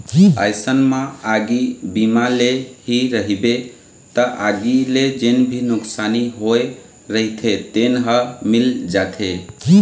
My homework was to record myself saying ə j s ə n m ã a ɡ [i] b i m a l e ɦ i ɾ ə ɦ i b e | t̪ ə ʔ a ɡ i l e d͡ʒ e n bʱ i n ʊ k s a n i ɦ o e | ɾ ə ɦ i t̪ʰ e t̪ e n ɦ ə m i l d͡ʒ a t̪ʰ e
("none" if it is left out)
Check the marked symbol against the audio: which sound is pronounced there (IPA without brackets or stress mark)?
i